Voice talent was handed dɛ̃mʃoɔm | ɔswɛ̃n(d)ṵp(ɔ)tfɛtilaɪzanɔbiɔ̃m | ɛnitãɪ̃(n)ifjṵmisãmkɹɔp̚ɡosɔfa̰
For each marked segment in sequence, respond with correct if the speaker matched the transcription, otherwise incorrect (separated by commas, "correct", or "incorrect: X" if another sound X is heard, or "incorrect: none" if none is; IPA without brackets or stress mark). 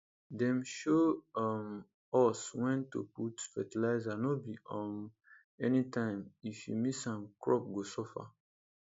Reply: incorrect: t, incorrect: u, incorrect: m